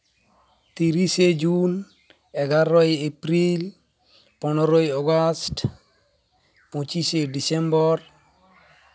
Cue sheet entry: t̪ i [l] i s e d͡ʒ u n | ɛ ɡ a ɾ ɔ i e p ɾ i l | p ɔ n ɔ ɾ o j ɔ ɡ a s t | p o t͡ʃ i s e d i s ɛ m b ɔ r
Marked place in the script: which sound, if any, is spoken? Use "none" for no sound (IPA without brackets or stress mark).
ɾ